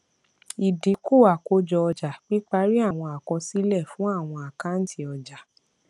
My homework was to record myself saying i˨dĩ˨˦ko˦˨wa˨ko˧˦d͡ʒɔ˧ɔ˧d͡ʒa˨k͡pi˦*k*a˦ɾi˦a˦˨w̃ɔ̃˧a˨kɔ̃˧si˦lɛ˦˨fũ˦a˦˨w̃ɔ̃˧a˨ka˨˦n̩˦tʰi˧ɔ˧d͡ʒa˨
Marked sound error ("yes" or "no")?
yes